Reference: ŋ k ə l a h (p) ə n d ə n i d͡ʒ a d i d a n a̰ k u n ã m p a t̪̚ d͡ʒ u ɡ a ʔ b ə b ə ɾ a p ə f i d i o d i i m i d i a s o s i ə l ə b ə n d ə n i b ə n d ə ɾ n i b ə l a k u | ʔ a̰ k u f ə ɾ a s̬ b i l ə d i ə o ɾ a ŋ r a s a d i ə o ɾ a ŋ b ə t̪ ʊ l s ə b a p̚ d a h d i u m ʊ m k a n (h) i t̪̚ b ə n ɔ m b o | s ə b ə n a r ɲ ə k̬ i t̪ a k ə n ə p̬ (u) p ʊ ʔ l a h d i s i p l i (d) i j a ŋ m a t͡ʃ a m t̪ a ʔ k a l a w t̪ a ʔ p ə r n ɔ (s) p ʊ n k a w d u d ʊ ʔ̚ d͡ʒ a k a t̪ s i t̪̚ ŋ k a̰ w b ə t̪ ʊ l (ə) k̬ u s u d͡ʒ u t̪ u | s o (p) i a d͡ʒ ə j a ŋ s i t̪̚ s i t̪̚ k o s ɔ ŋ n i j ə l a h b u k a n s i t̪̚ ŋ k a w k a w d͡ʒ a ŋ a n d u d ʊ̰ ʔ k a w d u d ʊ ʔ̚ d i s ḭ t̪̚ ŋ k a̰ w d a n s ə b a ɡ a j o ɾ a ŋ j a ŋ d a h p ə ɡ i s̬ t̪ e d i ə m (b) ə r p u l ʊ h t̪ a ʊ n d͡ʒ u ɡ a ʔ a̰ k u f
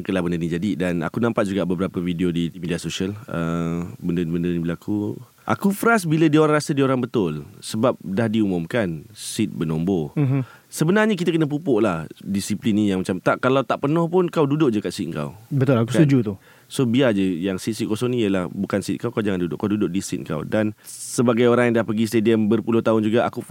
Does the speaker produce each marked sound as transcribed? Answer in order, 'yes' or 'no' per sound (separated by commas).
no, no, yes, no, no, no, no, yes